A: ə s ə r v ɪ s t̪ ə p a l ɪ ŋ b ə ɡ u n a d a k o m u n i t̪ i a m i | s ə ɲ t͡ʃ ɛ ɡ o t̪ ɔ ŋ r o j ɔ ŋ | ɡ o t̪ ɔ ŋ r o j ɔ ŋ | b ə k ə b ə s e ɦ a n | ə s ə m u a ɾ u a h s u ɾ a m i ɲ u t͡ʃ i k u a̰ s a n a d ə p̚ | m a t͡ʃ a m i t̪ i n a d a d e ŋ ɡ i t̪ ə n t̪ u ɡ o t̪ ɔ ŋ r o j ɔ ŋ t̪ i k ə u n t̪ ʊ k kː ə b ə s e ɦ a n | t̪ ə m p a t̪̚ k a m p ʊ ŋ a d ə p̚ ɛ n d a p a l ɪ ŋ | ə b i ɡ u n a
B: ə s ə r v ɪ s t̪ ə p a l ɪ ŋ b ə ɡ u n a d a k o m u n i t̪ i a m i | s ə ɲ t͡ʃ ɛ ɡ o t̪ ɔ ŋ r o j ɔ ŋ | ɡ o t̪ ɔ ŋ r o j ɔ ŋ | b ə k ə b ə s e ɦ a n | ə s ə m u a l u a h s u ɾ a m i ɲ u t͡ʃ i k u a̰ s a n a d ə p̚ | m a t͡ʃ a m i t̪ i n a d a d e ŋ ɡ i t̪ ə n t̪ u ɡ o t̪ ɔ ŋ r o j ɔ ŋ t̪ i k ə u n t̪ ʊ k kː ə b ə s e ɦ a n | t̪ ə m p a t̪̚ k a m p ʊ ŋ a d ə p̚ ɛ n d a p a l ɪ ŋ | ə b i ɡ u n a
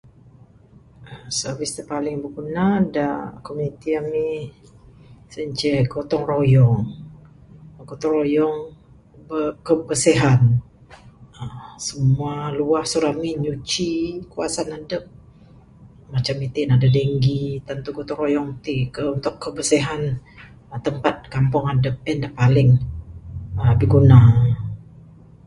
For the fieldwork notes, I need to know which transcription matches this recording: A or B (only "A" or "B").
B